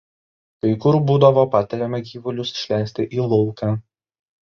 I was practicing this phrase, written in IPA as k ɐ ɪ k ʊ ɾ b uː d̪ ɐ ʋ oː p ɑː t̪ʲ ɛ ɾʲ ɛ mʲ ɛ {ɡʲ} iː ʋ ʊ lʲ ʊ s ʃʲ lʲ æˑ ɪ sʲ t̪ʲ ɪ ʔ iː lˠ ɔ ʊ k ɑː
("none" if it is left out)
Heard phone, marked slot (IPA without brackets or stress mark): ɡʲ